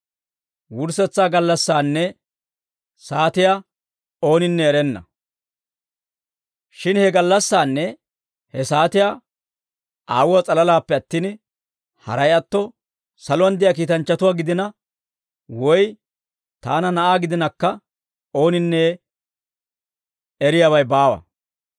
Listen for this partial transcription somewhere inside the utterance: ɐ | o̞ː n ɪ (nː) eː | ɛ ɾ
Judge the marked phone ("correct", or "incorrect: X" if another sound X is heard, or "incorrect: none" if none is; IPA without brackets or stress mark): correct